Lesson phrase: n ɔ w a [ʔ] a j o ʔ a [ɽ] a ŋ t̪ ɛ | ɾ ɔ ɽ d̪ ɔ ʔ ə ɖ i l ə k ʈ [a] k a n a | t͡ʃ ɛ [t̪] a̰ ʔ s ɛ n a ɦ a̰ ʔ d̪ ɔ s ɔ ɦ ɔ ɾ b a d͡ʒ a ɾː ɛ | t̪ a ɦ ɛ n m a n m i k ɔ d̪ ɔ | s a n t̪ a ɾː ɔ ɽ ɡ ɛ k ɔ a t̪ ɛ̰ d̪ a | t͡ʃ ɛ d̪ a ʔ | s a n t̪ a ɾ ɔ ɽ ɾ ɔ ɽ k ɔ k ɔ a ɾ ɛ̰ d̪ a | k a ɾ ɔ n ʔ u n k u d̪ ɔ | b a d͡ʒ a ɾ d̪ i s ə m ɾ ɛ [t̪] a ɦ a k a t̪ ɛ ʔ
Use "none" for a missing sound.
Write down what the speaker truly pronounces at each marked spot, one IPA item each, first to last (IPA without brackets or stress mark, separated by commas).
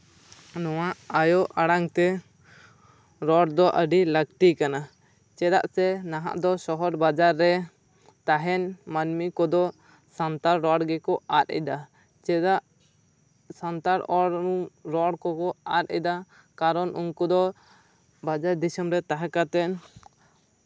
ʔ, ɽ, i, d̪, t̪